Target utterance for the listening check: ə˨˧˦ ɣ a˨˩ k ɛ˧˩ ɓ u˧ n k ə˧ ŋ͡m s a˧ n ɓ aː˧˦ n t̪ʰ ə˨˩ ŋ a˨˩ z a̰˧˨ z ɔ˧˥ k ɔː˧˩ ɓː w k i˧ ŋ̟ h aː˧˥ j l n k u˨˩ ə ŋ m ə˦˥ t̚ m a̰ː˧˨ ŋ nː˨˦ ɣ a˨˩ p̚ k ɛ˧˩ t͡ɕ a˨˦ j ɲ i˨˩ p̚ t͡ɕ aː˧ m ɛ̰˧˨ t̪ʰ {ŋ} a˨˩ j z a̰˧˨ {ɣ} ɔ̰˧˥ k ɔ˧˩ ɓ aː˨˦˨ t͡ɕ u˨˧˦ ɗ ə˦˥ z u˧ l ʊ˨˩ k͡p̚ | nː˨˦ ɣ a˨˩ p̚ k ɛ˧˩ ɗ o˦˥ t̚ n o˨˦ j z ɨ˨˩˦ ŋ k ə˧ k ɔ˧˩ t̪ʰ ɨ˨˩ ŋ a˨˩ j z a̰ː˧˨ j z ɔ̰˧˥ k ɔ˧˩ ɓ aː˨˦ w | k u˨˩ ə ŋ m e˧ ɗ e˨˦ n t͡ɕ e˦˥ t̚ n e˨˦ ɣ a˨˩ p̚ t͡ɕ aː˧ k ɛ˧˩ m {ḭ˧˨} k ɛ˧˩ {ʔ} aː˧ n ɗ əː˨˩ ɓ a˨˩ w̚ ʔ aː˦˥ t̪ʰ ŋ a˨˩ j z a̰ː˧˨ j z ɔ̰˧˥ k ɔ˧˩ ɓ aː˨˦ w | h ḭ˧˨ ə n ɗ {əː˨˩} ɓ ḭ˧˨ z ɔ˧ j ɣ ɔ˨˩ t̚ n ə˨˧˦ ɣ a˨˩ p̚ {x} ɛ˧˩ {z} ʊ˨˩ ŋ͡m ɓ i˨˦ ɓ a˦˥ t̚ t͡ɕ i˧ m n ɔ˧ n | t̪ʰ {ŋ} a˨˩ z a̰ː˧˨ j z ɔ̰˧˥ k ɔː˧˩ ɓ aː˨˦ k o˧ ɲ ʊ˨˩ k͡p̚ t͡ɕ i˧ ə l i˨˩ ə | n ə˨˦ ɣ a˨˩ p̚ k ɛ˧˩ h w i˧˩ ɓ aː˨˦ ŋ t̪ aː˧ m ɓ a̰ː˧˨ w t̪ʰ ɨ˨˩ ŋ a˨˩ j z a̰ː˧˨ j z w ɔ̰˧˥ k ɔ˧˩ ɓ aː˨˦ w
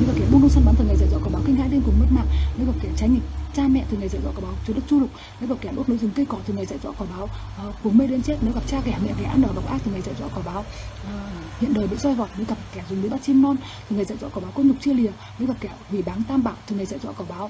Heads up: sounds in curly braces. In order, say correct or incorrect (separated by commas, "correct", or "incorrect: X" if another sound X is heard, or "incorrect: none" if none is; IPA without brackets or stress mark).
correct, incorrect: z, incorrect: ɛ̰˧˨, correct, correct, incorrect: k, correct, correct